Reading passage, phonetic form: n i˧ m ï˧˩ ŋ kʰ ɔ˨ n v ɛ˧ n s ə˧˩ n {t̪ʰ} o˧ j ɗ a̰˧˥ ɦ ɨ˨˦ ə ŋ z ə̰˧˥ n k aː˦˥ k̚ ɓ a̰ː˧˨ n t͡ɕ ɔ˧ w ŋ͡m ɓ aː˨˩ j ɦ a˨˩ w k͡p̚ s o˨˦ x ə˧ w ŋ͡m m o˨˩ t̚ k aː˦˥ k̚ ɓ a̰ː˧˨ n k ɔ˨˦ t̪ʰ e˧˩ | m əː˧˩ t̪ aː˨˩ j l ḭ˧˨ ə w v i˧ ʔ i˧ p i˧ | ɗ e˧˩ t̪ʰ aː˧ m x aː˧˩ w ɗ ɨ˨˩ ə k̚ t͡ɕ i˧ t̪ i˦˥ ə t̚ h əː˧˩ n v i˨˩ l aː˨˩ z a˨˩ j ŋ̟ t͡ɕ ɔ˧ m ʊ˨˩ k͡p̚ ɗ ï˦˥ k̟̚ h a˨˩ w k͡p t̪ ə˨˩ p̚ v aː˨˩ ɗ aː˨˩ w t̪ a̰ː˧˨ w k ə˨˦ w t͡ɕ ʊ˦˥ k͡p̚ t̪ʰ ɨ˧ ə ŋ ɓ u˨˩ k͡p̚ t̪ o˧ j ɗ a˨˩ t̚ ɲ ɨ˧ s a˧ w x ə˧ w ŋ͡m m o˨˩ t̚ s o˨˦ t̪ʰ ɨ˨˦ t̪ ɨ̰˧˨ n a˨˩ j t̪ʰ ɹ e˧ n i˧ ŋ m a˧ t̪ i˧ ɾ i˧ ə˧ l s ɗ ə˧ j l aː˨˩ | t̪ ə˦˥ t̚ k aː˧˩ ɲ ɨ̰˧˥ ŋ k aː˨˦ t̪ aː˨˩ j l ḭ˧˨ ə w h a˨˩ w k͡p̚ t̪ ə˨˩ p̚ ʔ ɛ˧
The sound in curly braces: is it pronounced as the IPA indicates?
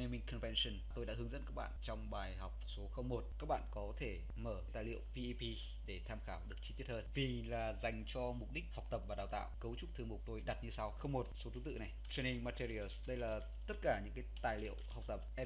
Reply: no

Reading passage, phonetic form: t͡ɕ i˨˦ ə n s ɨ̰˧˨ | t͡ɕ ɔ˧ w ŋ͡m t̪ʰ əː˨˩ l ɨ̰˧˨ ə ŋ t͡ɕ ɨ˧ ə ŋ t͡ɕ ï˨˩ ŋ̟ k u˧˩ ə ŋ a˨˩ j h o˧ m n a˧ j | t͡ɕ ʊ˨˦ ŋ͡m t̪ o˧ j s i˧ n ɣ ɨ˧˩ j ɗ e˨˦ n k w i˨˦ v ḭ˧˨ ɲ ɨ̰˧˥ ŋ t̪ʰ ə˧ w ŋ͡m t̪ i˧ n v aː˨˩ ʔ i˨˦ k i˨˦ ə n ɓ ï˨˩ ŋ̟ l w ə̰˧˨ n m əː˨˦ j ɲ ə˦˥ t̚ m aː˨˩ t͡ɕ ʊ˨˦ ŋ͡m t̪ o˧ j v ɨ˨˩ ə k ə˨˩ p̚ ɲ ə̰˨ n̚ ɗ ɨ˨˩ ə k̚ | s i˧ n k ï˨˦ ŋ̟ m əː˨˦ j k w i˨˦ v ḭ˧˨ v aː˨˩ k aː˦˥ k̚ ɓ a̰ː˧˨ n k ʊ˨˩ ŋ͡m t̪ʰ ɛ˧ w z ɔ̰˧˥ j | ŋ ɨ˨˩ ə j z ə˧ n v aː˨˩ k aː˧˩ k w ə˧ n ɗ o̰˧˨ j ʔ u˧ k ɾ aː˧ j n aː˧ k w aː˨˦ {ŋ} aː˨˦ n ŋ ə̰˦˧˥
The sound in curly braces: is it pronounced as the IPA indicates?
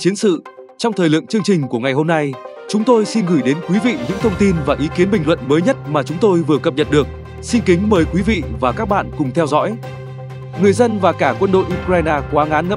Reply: yes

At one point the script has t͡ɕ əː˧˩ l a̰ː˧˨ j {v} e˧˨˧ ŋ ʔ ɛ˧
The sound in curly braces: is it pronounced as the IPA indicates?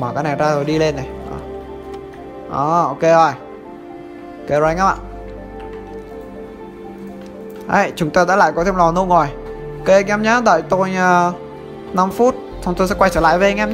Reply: yes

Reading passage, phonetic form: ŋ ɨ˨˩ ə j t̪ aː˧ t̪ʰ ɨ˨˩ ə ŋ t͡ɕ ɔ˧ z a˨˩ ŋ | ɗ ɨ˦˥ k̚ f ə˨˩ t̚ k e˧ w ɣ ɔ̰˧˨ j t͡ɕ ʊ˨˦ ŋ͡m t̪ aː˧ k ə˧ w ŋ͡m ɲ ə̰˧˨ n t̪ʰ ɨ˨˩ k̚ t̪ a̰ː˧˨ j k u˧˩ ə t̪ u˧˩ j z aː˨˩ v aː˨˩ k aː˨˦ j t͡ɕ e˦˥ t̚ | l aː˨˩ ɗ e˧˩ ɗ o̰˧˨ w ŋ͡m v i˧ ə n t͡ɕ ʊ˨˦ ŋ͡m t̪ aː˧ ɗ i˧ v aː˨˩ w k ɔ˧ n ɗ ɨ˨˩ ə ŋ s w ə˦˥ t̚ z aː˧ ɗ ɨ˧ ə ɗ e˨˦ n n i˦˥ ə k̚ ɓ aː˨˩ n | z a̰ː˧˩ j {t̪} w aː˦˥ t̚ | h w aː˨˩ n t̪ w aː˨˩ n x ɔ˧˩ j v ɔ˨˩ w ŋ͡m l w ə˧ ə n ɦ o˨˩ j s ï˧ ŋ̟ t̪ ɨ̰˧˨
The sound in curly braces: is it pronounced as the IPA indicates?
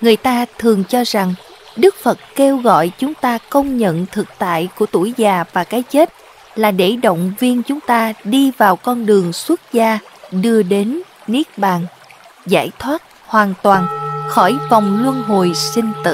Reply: no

